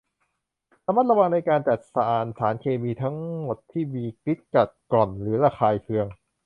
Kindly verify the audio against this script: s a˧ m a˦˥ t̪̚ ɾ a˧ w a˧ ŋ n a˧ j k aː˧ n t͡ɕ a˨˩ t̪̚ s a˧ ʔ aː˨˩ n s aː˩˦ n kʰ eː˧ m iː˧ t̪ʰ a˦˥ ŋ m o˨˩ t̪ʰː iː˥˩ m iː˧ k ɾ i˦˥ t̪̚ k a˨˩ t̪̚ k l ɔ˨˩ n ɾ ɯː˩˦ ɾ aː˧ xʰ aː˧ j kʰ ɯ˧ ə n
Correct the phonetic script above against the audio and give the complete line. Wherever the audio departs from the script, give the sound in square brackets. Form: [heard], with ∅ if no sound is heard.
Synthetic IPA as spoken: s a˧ m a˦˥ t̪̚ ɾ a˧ w a˧ ŋ n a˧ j k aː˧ n t͡ɕ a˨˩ t̪̚ s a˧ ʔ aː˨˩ n s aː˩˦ n kʰ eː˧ m iː˧ t̪ʰ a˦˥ ŋ m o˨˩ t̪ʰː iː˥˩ m iː˧ k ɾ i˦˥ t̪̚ k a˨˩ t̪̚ k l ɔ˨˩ n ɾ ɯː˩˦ ɾ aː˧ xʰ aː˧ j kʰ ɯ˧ ə [ŋ]